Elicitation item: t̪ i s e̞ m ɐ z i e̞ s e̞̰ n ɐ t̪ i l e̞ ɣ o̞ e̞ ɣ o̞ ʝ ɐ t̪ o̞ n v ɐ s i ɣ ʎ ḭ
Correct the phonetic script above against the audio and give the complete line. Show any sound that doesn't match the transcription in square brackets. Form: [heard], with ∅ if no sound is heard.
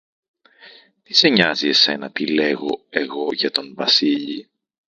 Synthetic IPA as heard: t̪ i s e̞ [ɲ] ɐ z i e̞ s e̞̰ n ɐ t̪ i l e̞ ɣ o̞ e̞ ɣ o̞ ʝ ɐ t̪ o̞ n v ɐ s i [∅] ʎ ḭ